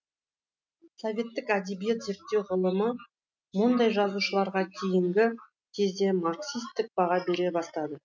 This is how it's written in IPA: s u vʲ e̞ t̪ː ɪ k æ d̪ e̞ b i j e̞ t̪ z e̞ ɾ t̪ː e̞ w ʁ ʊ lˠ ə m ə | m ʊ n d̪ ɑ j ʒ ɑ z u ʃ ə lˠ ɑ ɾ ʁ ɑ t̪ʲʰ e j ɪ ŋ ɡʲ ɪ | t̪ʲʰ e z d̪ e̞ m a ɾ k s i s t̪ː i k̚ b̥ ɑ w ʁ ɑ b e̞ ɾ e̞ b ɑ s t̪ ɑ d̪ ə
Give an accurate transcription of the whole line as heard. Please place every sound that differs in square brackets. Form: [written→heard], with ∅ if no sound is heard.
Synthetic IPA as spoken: s [u→o] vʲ e̞ t̪ː ɪ k æ d̪ e̞ b i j e̞ t̪ z e̞ ɾ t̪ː e̞ w ʁ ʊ lˠ ə m ə | m ʊ n d̪ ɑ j ʒ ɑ z u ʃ ə lˠ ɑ ɾ ʁ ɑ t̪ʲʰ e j ɪ ŋ ɡʲ ɪ | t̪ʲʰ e z d̪ e̞ m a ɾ k s i s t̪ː [i→ɪ] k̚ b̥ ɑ [w→∅] ʁ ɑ b e̞ ɾ e̞ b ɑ s t̪ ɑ d̪ ə

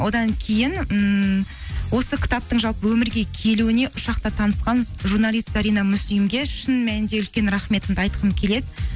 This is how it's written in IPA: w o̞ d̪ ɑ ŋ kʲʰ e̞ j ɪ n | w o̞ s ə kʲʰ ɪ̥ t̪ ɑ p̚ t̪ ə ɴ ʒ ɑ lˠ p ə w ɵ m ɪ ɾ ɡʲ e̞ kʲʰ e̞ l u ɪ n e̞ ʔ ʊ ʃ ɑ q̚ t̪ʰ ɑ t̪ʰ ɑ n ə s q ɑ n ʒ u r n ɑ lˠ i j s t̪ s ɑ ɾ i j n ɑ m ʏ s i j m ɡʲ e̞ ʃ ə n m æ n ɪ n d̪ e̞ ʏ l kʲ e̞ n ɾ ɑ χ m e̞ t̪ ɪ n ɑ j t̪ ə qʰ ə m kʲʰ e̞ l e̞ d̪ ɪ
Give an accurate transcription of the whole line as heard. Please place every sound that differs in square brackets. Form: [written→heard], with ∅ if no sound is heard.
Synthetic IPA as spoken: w o̞ d̪ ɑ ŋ kʲʰ e̞ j ɪ n | w o̞ s ə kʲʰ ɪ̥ t̪ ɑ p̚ t̪ ə ɴ ʒ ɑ lˠ p ə w ɵ m ɪ ɾ ɡʲ e̞ kʲʰ e̞ l u ɪ n e̞ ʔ ʊ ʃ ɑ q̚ [t̪ʰ→t̪] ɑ t̪ʰ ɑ n ə s q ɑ n ʒ u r n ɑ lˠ i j s t̪ s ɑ ɾ i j n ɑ m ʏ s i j m ɡʲ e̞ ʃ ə n m æ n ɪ n d̪ e̞ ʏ l kʲ e̞ n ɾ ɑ χ m e̞ t̪ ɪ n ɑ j t̪ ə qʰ ə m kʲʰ e̞ l e̞ d̪ ɪ

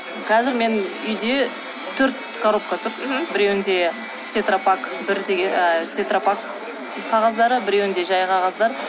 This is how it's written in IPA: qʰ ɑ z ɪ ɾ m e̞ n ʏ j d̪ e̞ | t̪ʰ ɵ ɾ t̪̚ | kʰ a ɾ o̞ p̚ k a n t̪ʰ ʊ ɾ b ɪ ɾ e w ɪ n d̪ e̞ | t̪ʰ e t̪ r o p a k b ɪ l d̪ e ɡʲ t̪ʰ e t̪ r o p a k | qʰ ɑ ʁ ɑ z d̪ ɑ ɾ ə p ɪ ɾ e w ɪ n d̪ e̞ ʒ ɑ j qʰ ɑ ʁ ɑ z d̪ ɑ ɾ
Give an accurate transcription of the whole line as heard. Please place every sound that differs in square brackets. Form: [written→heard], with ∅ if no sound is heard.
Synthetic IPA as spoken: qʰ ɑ z ɪ ɾ m e̞ n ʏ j d̪ e̞ | t̪ʰ ɵ ɾ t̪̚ | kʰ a ɾ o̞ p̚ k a [n→∅] t̪ʰ ʊ ɾ b ɪ ɾ e w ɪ n d̪ e̞ | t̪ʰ e t̪ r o p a k b ɪ [l→ɾ] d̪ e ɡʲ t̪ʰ e t̪ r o p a k | qʰ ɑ ʁ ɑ z d̪ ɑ ɾ ə [p→b] ɪ ɾ e w ɪ n d̪ e̞ ʒ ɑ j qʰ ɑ ʁ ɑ z d̪ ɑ ɾ

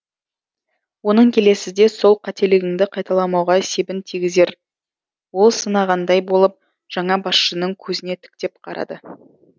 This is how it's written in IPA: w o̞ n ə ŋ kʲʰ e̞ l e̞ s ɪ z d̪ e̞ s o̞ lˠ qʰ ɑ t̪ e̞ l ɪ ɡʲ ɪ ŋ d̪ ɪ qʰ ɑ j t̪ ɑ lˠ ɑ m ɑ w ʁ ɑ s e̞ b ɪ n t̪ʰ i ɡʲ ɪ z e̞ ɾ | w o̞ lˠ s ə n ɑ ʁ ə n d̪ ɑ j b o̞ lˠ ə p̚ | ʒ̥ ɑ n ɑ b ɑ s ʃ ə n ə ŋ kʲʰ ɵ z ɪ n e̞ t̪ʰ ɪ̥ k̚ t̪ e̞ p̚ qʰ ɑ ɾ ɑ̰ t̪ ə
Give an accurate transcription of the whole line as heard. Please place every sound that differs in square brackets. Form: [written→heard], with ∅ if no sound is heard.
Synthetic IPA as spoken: w o̞ n ə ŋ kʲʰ e̞ l e̞ s ɪ z d̪ e̞ s o̞ lˠ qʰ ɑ t̪ e̞ l ɪ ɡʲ ɪ ŋ d̪ ɪ qʰ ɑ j t̪ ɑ lˠ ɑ m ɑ w ʁ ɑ s e̞ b ɪ n t̪ʰ i ɡʲ ɪ z e̞ ɾ | w o̞ lˠ s ə n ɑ ʁ [ə→ɑ] n d̪ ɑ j b o̞ lˠ ə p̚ | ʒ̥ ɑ [n→ɴ] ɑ b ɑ s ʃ ə n ə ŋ kʲʰ ɵ z ɪ n e̞ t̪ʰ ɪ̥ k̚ t̪ e̞ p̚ qʰ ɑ ɾ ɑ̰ [t̪→d̪] ə

